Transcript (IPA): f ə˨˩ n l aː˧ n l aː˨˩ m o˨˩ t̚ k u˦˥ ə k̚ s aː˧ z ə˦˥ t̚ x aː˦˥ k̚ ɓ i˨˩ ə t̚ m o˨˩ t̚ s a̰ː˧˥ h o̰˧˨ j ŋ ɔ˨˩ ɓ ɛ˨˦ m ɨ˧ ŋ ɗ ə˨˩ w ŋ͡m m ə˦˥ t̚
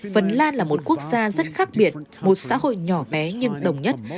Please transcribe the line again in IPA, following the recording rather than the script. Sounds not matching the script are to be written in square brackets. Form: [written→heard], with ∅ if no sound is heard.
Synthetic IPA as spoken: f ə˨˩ n l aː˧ n l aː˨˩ m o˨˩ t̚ k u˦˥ ə k̚ [s→z] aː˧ z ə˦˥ t̚ x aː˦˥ k̚ ɓ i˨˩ ə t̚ m o˨˩ t̚ s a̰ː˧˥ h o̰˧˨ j [ŋ→ɲ] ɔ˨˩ ɓ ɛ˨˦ [m→ɲ] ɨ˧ ŋ ɗ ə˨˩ w ŋ͡m [m→ɲ] ə˦˥ t̚